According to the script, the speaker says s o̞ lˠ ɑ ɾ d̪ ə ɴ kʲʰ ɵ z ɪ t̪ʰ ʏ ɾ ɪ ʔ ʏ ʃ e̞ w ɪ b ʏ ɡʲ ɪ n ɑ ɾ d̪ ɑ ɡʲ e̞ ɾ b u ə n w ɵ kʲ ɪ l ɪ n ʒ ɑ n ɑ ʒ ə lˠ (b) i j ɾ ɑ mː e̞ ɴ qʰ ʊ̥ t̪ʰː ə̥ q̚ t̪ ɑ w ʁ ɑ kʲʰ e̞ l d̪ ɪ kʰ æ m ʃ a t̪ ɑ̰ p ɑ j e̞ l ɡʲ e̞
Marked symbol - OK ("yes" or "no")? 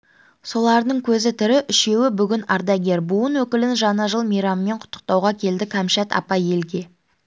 no